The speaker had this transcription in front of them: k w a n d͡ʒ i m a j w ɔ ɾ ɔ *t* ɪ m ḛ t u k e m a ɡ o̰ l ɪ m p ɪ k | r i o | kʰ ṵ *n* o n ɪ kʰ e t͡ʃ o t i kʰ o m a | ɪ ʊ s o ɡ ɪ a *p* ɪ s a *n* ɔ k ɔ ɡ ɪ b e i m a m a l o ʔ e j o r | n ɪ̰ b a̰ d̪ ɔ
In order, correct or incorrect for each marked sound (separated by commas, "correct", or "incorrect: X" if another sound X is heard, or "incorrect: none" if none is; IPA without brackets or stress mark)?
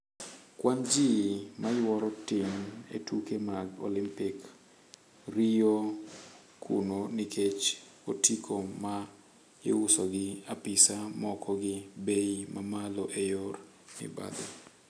correct, correct, correct, incorrect: m